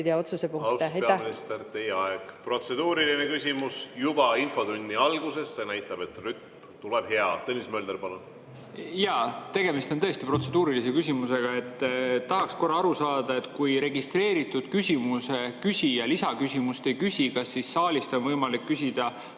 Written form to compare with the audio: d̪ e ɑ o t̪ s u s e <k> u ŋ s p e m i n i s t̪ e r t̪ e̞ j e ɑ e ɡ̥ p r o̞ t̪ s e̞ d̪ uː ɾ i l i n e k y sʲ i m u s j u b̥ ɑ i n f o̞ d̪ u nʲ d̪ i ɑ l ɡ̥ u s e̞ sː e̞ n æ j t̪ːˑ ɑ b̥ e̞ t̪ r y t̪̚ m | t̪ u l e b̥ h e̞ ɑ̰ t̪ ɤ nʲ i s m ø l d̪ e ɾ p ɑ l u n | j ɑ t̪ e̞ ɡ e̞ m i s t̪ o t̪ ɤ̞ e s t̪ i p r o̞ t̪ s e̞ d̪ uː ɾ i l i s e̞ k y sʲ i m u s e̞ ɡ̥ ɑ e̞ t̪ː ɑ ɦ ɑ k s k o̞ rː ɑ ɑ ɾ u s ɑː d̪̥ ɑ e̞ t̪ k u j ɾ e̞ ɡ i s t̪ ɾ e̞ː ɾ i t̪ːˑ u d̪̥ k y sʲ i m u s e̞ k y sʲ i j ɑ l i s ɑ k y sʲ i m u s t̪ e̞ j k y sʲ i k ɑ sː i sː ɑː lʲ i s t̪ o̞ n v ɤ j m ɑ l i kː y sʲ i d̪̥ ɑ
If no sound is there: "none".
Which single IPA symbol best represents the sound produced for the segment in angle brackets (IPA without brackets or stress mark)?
p